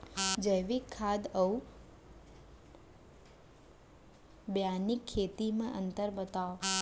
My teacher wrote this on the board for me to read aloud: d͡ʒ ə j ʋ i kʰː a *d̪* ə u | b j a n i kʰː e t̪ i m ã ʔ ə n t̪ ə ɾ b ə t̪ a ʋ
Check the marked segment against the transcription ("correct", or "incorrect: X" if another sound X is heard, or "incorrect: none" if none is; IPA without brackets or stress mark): correct